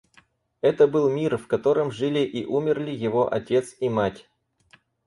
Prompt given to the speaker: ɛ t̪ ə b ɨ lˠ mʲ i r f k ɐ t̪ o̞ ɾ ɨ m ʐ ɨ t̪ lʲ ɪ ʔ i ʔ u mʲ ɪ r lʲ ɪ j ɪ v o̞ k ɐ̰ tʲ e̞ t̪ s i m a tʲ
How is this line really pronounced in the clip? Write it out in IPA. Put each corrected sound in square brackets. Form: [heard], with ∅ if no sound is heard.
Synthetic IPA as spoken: ɛ t̪ ə b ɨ lˠ mʲ i r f k ɐ t̪ o̞ ɾ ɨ m ʐ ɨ [∅] lʲ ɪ ʔ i ʔ u mʲ ɪ r lʲ ɪ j ɪ v o̞ [ʔ] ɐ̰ tʲ e̞ t̪ s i m a tʲ